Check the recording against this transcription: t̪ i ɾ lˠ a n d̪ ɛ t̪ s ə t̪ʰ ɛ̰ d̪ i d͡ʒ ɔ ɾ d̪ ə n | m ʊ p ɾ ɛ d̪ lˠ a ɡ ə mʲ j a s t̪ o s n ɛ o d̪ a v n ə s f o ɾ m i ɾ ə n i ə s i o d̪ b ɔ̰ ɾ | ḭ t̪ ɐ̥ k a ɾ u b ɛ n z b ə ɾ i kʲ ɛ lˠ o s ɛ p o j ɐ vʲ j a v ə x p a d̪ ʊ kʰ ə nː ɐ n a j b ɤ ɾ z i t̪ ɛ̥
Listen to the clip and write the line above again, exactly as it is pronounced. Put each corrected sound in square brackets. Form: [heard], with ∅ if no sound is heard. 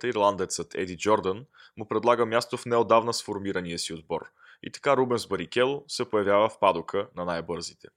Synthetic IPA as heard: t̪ i ɾ lˠ a n d̪ ɛ t̪ s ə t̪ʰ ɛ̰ d̪ i d͡ʒ ɔ ɾ d̪ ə n | m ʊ p ɾ ɛ d̪ lˠ a ɡ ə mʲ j a s t̪ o [f] n ɛ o d̪ a v n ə s f o ɾ m i ɾ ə n i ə s i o d̪ b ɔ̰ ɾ | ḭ t̪ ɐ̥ k a ɾ u b ɛ n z b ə ɾ i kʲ ɛ lˠ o s ɛ p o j ɐ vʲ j a v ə [f] p a d̪ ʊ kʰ ə [n] ɐ n a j b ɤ ɾ z i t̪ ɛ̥